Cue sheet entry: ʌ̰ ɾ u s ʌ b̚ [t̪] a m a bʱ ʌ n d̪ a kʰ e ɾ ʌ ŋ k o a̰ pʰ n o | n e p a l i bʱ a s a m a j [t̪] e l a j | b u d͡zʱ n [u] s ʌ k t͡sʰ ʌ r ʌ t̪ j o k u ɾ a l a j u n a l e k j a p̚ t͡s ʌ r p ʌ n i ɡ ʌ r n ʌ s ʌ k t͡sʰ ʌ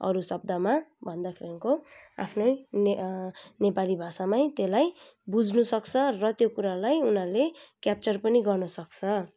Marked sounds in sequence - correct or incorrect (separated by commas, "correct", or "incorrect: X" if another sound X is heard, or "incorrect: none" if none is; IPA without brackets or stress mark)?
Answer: incorrect: d̪, correct, correct